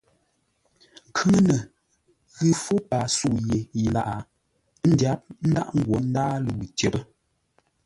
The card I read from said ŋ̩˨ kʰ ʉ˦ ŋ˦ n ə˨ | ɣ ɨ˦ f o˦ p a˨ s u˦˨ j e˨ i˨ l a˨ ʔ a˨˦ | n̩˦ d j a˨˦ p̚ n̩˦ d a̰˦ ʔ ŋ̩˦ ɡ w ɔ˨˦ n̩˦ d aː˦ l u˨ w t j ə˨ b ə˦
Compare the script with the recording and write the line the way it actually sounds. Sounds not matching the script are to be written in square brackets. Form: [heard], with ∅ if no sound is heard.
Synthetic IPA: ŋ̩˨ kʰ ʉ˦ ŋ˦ n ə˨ | ɣ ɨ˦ f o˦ p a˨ s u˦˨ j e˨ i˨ l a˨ ʔ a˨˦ | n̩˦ d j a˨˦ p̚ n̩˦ d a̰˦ ʔ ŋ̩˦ ɡ w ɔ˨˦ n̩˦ d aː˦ l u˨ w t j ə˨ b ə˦